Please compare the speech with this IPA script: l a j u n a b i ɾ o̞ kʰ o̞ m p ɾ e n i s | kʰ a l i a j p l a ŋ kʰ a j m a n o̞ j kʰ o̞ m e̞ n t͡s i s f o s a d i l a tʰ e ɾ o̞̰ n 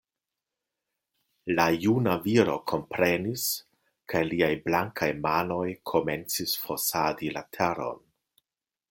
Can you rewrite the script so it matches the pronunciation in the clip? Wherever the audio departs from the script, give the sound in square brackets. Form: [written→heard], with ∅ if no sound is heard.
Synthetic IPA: l a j u n a [b→v] i ɾ o̞ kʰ o̞ m p ɾ e n i s | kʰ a l i a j [p→b] l a ŋ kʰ a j m a n o̞ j kʰ o̞ m e̞ n t͡s i s f o s a d i l a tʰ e ɾ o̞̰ n